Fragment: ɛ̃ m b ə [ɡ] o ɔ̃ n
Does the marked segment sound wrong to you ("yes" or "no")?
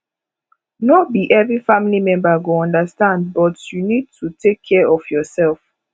no